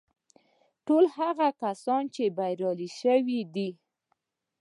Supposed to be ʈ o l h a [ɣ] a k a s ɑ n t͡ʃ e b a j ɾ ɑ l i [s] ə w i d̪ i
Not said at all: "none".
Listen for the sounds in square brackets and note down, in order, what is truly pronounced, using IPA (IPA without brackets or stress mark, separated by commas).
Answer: ɣ, ʃ